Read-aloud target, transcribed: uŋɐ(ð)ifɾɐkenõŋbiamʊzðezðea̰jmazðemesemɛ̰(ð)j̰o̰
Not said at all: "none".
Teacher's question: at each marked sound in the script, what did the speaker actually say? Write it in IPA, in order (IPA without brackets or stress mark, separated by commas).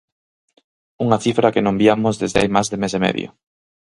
θ, ð